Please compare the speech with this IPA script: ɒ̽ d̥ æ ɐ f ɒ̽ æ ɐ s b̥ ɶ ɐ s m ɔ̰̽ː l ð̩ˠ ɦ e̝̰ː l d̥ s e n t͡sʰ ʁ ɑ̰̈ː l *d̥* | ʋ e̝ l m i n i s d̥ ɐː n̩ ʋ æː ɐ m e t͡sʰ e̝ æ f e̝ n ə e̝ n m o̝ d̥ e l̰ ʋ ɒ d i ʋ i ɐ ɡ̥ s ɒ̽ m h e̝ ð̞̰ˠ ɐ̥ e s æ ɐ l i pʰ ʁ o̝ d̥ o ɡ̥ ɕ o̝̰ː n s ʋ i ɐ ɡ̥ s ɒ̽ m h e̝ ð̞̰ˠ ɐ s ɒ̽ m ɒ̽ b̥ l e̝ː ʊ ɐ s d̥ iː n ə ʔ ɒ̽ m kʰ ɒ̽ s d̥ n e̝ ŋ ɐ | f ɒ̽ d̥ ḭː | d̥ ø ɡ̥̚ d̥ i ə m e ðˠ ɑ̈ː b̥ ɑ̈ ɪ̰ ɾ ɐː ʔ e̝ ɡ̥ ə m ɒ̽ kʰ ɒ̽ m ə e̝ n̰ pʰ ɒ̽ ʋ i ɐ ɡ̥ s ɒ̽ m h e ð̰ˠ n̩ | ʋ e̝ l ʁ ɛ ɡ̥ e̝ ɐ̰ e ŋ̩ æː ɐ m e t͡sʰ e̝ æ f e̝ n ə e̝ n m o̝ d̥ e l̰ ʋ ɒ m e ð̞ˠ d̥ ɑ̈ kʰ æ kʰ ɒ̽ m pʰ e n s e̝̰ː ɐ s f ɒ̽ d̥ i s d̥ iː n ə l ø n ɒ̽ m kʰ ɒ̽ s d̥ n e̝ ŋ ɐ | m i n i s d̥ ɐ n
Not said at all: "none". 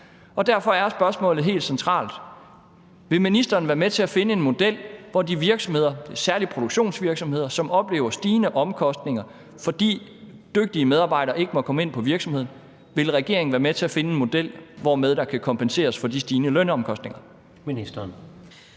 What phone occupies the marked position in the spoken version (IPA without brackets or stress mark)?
d̥